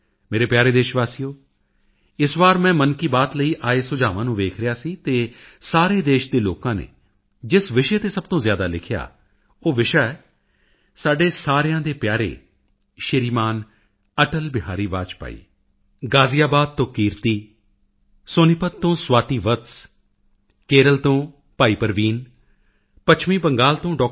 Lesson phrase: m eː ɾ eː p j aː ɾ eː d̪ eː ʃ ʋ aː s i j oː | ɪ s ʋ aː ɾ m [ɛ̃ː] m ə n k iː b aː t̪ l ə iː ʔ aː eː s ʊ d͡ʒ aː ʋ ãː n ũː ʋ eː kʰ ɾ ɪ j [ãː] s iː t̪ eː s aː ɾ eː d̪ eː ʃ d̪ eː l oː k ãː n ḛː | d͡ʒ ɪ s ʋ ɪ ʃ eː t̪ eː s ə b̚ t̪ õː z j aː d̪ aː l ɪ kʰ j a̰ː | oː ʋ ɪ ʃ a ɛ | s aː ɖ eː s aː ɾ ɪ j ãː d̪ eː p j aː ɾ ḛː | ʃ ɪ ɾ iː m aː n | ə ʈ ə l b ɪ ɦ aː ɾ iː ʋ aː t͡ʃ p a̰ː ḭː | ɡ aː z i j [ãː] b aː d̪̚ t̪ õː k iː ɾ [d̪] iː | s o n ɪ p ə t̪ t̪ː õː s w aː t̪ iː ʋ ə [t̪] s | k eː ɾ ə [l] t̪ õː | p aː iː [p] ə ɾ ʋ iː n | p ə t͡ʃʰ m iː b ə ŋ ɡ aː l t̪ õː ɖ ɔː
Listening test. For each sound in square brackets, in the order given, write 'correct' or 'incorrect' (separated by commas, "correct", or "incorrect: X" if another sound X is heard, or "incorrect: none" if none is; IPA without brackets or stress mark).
correct, incorrect: aː, incorrect: aː, incorrect: t̪, correct, correct, correct